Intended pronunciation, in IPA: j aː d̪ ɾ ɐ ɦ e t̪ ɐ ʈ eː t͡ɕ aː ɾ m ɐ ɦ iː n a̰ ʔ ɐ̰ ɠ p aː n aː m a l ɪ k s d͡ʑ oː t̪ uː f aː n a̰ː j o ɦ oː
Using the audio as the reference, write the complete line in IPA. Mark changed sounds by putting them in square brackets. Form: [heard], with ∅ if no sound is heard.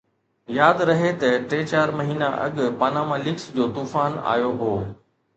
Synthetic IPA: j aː d̪ ɾ ɐ ɦ e t̪ ɐ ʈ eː t͡ɕ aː ɾ m ɐ ɦ iː n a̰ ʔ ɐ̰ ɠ p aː n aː m a l ɪ k s d͡ʑ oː t̪ uː f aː n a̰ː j o ɦ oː